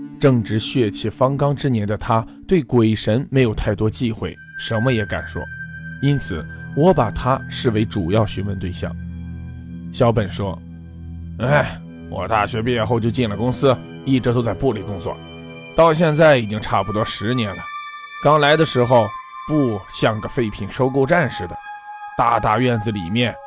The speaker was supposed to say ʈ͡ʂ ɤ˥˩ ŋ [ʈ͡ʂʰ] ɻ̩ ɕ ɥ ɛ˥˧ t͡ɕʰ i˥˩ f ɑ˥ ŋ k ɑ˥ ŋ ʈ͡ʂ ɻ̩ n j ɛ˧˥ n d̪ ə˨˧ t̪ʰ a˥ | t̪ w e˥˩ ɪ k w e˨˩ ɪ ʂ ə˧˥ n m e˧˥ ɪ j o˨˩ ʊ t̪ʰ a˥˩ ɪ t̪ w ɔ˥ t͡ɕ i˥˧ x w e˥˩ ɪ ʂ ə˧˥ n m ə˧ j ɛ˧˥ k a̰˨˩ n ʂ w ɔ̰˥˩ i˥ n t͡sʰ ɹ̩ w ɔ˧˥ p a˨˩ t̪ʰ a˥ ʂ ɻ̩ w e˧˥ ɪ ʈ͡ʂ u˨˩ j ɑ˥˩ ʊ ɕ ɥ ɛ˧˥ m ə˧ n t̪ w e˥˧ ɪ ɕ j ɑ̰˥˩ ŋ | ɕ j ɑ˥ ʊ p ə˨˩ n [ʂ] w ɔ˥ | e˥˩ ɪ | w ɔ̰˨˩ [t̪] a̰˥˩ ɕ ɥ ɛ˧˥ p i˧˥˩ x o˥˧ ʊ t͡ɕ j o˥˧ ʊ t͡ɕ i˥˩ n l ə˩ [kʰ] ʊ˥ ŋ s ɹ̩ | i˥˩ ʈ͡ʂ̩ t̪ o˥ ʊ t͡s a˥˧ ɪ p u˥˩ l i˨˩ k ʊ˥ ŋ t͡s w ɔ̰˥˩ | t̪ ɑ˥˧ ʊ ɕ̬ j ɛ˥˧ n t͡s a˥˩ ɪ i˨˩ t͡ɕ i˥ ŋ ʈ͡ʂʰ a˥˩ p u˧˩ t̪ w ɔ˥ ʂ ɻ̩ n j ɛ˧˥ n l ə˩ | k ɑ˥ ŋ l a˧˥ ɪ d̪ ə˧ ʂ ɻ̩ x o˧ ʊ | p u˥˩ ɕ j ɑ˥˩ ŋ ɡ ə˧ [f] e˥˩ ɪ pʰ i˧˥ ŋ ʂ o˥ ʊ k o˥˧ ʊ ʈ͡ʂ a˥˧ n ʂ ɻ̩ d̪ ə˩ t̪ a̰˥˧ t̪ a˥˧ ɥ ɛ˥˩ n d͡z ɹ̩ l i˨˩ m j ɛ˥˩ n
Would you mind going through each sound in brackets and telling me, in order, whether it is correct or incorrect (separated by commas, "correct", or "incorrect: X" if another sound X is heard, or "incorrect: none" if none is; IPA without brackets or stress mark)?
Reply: incorrect: ʈ͡ʂ, correct, correct, incorrect: k, correct